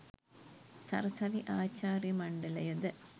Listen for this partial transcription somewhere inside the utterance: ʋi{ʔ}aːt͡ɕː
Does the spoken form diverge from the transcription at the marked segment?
no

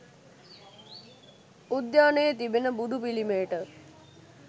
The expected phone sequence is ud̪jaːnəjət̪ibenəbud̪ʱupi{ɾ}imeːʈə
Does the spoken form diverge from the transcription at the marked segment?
yes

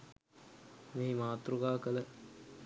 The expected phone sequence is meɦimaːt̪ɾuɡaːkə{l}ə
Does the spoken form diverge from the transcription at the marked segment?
no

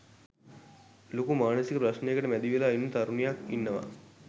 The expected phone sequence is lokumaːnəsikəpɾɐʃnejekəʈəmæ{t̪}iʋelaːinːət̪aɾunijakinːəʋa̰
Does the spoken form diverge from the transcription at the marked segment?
yes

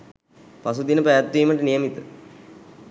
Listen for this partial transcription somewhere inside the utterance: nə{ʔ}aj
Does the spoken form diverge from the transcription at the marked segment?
yes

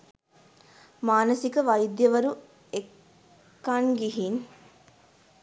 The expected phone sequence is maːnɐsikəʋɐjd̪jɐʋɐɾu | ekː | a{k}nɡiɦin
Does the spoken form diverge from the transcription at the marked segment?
yes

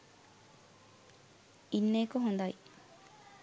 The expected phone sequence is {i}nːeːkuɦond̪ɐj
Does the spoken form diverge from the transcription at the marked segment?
no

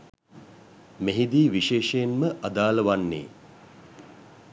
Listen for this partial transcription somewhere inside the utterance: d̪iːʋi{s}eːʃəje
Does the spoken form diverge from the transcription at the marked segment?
yes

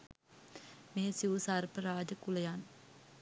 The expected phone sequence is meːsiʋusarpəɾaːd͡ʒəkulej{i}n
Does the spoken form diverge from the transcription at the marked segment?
yes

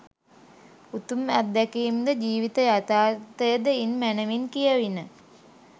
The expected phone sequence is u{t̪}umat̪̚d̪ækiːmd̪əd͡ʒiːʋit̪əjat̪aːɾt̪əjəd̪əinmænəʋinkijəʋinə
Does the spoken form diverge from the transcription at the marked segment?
no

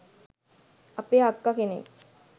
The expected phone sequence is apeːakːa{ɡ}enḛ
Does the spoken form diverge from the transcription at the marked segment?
yes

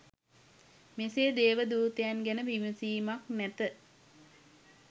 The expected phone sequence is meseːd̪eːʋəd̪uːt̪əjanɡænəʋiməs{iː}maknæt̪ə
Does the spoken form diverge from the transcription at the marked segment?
no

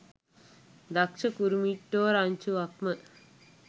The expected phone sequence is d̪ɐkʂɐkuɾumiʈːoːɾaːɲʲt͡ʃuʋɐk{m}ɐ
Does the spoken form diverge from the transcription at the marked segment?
no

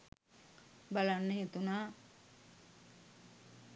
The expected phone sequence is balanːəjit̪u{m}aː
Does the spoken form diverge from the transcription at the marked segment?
yes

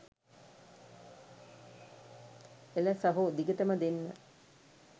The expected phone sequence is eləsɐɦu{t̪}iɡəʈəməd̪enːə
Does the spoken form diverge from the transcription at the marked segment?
yes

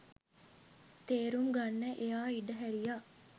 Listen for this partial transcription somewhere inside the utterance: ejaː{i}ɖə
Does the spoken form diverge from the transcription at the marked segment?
no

